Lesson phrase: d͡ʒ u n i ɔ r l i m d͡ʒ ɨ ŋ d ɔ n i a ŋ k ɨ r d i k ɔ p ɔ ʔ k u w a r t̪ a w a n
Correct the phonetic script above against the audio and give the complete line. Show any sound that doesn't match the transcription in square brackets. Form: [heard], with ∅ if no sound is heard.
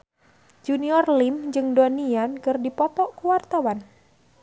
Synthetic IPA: d͡ʒ u n i ɔ r l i m d͡ʒ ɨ ŋ d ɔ n i a [n] k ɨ r d i [p] ɔ p ɔ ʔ k u w a r t̪ a w a n